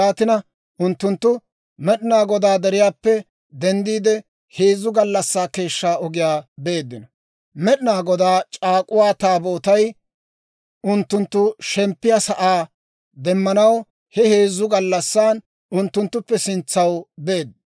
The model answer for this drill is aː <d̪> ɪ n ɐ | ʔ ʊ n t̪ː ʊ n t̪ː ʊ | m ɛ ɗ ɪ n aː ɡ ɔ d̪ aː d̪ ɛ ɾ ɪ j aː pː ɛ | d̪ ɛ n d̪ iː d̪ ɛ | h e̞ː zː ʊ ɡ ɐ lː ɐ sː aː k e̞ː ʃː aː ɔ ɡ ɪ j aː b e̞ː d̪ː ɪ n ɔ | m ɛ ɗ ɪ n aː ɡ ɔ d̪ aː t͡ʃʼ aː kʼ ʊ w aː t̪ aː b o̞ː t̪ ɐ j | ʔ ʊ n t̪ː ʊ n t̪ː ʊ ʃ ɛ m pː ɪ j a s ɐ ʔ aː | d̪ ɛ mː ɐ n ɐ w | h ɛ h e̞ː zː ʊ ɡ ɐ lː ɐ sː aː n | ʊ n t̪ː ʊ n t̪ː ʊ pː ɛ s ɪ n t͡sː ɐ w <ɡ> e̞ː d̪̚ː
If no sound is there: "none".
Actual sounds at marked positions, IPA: t̪, b

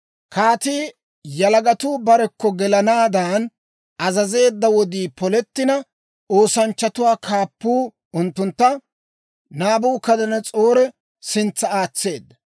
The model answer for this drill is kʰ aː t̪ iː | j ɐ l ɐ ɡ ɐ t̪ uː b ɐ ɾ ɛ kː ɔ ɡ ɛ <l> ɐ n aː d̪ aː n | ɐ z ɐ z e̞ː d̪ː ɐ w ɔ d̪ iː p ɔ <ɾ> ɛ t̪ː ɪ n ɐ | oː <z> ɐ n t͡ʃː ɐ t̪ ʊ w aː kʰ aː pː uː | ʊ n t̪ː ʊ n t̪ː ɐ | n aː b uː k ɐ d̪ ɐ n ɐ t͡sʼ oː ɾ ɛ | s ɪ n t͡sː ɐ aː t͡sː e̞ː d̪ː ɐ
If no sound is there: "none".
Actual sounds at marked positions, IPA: l, l, s

